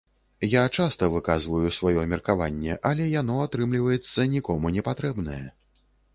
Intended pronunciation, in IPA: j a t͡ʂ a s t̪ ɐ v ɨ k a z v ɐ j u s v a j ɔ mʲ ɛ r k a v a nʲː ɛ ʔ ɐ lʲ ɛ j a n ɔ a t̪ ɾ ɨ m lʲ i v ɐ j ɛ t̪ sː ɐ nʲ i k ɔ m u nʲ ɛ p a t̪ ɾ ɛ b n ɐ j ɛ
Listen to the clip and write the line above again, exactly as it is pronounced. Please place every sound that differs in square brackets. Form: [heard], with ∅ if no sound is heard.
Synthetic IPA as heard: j a t͡ʂ a s t̪ ɐ v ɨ k a z v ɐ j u s v a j ɔ mʲ ɛ r k a v a nʲː ɛ ʔ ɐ lʲ ɛ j a n ɔ a t̪ ɾ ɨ m lʲ i v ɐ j ɛ t̪ sː ɐ nʲ i k ɔ m u nʲ ɛ p a t̪ ɾ ɛ b n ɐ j ɛ